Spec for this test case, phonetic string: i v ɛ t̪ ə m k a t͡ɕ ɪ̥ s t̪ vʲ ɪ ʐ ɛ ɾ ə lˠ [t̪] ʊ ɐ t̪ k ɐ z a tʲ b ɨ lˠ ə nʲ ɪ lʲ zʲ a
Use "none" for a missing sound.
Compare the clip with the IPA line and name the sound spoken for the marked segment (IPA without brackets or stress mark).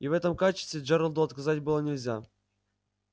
d̪